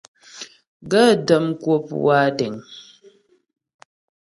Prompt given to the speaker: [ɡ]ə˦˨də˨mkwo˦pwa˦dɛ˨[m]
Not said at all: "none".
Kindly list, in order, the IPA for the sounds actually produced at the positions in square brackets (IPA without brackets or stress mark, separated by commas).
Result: ɡ, ŋ